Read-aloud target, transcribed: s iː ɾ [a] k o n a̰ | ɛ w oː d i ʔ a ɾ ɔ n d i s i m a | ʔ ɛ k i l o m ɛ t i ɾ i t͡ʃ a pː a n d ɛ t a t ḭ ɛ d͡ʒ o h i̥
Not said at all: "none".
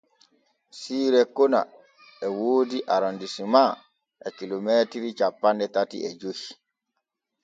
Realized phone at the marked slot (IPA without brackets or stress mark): ɛ